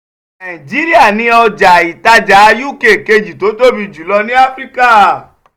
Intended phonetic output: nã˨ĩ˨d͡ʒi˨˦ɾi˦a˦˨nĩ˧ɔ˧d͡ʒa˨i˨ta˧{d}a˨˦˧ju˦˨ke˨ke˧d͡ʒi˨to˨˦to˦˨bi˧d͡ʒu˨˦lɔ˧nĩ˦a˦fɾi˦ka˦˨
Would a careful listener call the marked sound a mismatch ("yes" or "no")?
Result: yes